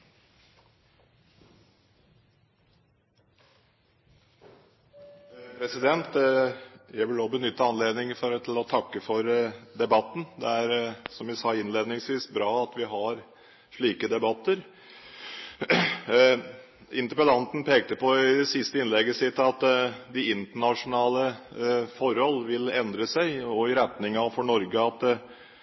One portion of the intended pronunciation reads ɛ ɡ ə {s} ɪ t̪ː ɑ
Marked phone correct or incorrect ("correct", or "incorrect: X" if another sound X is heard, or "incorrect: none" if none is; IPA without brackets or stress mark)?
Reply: correct